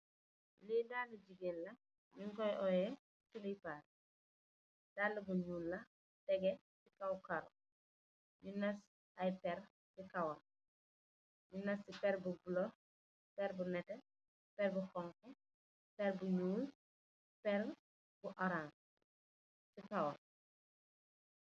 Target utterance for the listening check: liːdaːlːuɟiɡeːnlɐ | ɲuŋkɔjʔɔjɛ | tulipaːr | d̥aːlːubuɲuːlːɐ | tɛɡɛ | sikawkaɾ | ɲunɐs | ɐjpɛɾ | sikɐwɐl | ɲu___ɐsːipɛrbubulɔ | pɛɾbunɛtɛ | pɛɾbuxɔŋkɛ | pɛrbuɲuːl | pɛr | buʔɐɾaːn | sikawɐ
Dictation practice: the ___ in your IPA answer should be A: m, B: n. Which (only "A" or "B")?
B